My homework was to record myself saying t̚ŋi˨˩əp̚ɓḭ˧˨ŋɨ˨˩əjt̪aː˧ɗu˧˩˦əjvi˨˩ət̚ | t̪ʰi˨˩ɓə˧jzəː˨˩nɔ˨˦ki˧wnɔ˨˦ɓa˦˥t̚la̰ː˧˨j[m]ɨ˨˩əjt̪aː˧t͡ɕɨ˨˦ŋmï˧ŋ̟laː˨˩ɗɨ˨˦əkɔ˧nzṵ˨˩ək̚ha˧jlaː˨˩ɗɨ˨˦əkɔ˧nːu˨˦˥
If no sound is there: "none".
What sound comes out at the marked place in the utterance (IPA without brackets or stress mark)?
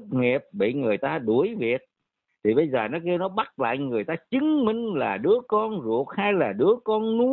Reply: ŋ